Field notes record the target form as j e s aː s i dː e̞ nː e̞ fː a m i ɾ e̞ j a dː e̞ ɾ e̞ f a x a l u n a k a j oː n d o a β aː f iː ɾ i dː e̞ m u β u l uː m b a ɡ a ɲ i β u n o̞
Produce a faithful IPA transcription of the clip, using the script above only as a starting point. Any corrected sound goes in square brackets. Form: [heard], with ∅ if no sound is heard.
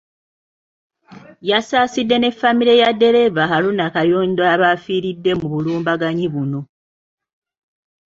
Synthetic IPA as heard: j [a] s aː s i dː e̞ [n] e̞ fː a m i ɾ e̞ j a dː e̞ ɾ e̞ [v] a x a l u n a k a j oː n d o a β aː f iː ɾ i dː e̞ m u β u l uː m b a ɡ a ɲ i β u n o̞